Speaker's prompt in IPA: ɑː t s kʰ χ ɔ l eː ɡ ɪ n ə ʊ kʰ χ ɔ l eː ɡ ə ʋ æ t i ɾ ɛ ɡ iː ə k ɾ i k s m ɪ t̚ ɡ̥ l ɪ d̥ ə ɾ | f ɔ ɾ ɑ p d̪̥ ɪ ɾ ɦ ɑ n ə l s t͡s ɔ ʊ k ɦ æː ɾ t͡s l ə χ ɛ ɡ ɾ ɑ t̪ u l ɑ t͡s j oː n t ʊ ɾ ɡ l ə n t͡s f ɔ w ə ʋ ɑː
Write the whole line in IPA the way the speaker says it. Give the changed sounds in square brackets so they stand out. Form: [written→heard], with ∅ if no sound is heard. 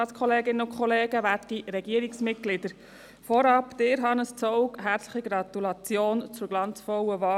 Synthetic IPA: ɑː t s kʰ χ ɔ l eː ɡ ɪ n ə ʊ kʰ χ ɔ l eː ɡ ə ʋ æ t i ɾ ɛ ɡ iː ə [k→∅] ɾ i k s m ɪ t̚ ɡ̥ l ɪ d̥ ə ɾ | f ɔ ɾ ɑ p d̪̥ ɪ ɾ ɦ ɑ n ə [l→∅] s t͡s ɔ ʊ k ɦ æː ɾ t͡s l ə χ [ɛ→i] ɡ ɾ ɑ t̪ u l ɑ t͡s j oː n [t→t͡s] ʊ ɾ ɡ l [ə→ɑ] n t͡s f ɔ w ə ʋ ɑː

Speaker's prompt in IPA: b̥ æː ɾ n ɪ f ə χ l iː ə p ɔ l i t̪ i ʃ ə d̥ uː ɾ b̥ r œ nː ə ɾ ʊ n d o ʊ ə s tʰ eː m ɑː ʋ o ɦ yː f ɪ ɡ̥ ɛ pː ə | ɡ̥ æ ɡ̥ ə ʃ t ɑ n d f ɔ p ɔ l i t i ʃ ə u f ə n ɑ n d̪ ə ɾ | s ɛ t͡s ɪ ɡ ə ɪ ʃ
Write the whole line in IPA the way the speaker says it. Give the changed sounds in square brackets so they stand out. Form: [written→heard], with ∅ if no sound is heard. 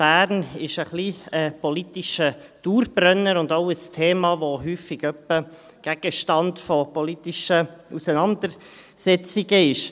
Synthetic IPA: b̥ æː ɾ n ɪ [f→ʃ] ə χ l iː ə p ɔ l i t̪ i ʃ ə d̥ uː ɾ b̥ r œ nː ə ɾ ʊ n d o ʊ ə s tʰ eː m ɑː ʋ o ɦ yː f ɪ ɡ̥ [ɛ→œ] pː ə | ɡ̥ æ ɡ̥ ə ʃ t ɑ n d f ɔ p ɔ l i t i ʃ ə u [f→s] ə n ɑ n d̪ ə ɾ | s ɛ t͡s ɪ ɡ ə ɪ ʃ

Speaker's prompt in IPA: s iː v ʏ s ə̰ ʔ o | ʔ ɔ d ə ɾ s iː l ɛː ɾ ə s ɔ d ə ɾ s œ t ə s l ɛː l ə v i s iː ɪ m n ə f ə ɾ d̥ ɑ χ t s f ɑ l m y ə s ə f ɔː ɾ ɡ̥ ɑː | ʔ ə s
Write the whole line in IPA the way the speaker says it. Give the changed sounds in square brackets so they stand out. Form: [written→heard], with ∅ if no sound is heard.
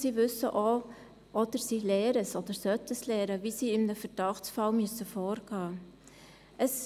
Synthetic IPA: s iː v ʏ s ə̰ ʔ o | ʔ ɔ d ə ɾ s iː l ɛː ɾ ə s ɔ d ə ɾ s œ t ə s l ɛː [l→ɾ] ə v i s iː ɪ m n ə f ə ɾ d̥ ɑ χ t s f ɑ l m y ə s ə f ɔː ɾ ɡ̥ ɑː | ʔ ə s

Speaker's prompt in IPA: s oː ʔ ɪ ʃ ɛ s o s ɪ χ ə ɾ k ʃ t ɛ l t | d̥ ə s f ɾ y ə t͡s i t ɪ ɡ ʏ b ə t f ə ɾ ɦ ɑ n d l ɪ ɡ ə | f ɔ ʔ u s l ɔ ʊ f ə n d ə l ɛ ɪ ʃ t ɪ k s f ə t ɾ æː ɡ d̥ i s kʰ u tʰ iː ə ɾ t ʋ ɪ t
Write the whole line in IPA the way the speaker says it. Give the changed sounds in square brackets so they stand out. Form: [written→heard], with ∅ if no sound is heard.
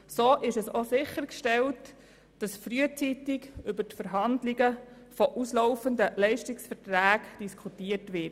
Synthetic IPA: s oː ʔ ɪ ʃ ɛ s o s ɪ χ ə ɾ k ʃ t ɛ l t | d̥ [ə→ɑ] s f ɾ y ə t͡s i t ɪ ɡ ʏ b ə t f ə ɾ ɦ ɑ n d l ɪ ɡ ə | f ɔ ʔ u s l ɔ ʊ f ə n d ə l ɛ ɪ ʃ t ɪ k s f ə t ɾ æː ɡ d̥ i s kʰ u [tʰ→t] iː ə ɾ t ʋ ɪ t

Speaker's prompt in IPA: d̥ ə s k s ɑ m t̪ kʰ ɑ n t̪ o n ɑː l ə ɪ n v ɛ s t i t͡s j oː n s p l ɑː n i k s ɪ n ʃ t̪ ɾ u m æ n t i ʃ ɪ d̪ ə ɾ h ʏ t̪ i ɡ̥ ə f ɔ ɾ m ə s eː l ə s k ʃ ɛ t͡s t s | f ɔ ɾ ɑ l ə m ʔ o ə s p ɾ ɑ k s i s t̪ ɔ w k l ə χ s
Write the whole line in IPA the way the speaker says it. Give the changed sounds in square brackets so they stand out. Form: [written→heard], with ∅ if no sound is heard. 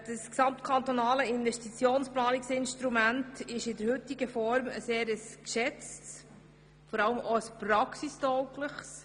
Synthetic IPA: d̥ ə s k s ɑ m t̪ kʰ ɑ n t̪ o n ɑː l ə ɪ n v ɛ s t i t͡s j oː n s p l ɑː n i k s ɪ n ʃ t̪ ɾ u m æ n t [i→ɪ] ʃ ɪ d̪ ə ɾ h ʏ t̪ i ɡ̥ ə f ɔ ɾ m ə s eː [l→ɾ] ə s k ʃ ɛ t͡s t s | f ɔ ɾ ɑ l ə m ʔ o ə s p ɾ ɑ k s i s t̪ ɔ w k l ə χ s

